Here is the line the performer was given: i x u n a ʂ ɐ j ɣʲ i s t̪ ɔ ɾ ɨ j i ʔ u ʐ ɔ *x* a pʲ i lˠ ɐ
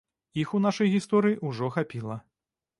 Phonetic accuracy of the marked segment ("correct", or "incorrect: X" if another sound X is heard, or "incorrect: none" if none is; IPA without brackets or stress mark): correct